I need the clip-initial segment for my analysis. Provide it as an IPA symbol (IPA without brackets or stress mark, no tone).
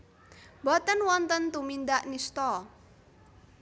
b